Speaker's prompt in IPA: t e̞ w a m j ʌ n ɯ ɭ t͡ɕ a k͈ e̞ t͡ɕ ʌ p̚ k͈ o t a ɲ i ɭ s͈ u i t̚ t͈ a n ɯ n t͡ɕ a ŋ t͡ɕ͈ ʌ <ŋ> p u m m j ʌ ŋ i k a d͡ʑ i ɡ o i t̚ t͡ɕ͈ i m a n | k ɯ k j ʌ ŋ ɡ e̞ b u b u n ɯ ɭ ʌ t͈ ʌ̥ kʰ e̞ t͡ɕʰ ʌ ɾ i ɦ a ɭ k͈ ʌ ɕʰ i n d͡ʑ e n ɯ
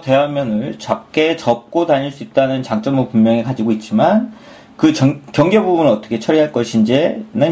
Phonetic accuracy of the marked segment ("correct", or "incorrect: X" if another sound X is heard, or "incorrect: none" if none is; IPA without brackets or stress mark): incorrect: m